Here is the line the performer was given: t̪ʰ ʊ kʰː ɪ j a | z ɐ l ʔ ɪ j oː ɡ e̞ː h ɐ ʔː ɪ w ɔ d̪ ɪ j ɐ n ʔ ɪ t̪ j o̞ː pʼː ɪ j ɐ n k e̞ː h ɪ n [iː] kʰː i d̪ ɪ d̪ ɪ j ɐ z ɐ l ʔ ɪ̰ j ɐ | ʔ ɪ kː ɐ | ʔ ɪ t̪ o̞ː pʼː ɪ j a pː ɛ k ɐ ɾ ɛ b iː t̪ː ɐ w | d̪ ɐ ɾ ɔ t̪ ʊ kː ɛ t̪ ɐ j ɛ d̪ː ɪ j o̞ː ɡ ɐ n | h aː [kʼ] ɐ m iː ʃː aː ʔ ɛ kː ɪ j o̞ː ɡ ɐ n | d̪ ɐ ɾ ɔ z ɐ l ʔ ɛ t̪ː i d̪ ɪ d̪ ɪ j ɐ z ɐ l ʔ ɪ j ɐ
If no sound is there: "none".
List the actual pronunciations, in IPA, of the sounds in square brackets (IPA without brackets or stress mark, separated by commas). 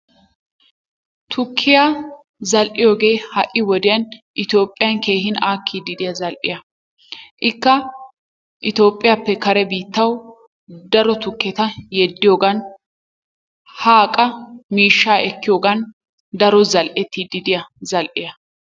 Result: aː, kʼ